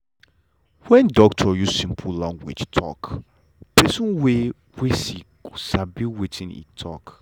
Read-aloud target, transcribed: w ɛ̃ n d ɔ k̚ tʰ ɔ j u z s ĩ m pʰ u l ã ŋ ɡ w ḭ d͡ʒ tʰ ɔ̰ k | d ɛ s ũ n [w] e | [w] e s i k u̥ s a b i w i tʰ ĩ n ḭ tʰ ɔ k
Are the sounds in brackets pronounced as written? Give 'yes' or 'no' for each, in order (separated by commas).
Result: yes, yes